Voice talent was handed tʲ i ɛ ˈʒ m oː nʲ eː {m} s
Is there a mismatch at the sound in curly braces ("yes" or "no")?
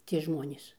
yes